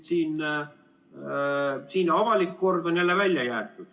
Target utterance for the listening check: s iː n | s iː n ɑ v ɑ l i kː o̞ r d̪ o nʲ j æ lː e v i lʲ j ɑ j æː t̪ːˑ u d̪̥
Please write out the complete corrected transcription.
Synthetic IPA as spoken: s iː n | s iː n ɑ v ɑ l i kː o̞ r d̪ o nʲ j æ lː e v æ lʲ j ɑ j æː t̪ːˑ u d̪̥

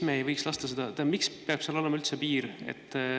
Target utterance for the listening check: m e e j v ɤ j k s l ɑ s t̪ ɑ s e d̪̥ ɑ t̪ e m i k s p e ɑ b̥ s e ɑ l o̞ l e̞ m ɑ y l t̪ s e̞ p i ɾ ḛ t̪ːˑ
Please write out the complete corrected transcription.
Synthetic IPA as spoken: m e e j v ɤ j k s l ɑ s t̪ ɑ s e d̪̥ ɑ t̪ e m i k s p e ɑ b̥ s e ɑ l o̞ l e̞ m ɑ y l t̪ s e̞ p iː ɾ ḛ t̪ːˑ

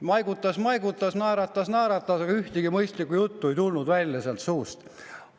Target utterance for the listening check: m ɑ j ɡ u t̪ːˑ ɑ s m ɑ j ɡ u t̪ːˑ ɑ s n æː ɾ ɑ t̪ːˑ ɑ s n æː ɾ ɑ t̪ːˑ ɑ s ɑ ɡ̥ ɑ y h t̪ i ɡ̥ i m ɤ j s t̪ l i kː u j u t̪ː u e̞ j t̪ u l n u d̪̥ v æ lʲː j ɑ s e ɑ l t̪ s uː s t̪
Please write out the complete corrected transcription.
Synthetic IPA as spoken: m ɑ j ɡ u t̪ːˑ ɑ s m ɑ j ɡ u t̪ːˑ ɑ s n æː ɾ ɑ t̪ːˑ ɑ s n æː ɾ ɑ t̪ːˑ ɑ s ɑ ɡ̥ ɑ y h t̪ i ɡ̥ i m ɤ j s t̪ l i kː u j u t̪ː u e̞ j t̪ u l n u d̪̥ v æ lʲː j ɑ s e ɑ l t̪ s uː s t̪

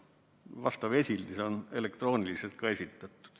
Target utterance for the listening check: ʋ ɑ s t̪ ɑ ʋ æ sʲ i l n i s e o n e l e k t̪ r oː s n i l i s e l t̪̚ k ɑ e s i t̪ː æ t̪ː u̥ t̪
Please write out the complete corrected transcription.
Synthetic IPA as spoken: ʋ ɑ s t̪ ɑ ʋ e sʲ i l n i s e o n e l e k t̪ r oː n i l i s e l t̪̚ k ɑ e s i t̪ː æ t̪ː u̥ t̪

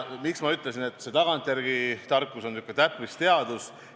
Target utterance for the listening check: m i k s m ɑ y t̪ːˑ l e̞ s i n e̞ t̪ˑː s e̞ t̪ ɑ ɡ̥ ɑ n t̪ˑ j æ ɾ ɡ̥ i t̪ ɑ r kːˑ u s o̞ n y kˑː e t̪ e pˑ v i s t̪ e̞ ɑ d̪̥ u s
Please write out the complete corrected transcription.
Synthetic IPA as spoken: m i k s m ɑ y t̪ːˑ l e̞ s i n e̞ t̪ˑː s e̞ t̪ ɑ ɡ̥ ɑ n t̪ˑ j æ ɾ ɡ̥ i t̪ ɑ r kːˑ u s o̞ n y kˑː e t̪ æ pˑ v i s t̪ e̞ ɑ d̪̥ u s

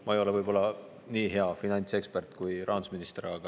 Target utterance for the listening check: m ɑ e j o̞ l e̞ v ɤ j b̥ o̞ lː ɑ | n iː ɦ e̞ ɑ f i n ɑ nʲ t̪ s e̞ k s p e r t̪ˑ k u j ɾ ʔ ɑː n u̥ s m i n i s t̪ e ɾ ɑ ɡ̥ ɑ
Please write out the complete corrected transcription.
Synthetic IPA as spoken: m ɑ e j o̞ l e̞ v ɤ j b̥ o̞ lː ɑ | n iː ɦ e̞ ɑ f i n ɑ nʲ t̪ s e̞ k s p e r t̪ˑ k u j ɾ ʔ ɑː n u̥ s m i n i s t̪ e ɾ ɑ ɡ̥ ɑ

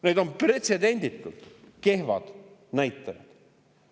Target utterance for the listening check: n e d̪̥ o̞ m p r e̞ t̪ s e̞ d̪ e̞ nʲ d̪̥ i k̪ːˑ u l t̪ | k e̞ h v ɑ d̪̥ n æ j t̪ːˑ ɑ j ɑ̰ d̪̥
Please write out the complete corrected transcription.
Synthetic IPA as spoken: n e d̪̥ o̞ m p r e̞ t̪ s e̞ d̪ e̞ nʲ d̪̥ i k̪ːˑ u l t̪ | k e̞ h v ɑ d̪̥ n æ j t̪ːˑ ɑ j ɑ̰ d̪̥

